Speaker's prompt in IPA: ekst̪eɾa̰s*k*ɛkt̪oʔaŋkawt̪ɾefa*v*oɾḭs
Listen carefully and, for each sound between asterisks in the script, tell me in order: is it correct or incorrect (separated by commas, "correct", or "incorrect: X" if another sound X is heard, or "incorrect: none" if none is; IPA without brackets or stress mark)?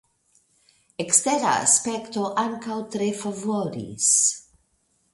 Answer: incorrect: p, correct